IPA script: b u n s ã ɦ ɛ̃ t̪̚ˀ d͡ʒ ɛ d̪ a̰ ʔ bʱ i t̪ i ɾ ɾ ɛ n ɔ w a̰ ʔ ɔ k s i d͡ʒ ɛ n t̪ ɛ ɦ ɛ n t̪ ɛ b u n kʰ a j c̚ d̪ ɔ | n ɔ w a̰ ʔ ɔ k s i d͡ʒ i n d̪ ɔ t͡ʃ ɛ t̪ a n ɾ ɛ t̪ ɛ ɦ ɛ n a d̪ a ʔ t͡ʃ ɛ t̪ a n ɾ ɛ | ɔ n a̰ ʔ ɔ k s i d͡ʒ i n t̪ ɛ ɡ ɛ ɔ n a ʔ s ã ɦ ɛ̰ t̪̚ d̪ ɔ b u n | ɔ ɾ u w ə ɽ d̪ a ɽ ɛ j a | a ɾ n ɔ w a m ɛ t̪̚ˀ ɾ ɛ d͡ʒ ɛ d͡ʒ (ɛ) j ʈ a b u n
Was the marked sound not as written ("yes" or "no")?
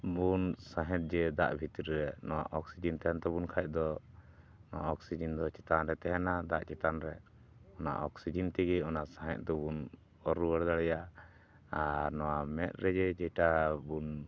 no